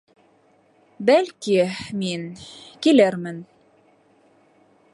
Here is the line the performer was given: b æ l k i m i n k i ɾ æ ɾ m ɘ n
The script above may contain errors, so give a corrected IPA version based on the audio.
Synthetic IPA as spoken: b æ l k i m i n k i l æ ɾ m ɘ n